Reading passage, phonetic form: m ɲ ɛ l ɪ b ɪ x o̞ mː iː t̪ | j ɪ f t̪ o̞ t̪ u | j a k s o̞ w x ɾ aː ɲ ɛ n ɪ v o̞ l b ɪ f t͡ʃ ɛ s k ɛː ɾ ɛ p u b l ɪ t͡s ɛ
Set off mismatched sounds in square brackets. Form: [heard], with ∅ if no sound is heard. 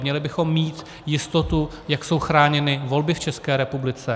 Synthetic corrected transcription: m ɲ ɛ l ɪ b ɪ x o̞ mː iː t̪ | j ɪ [s] t̪ o̞ t̪ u | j a k s o̞ w x ɾ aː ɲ ɛ n ɪ v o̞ l b ɪ f t͡ʃ ɛ s k ɛː ɾ ɛ p u b l ɪ t͡s ɛ